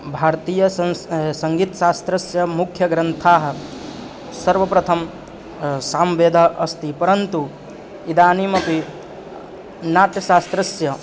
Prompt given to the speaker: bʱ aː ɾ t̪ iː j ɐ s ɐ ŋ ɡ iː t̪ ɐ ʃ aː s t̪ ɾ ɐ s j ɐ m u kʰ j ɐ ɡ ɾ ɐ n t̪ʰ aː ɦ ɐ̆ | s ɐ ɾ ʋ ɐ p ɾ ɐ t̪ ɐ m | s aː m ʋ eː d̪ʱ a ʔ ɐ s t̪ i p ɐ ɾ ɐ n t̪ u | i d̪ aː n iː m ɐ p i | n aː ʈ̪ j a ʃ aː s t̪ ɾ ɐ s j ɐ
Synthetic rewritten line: bʱ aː ɾ t̪ iː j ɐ s ɐ ŋ ɡ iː t̪ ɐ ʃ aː s t̪ ɾ ɐ s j ɐ m u kʰ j ɐ ɡ ɾ ɐ n t̪ʰ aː ɦ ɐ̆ | s ɐ ɾ ʋ ɐ p ɾ ɐ t̪ʰ ɐ m | s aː m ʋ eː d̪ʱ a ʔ ɐ s t̪ i p ɐ ɾ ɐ n t̪ u | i d̪ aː n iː m ɐ p i | n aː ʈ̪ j ɐ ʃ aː s t̪ ɾ ɐ s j ɐ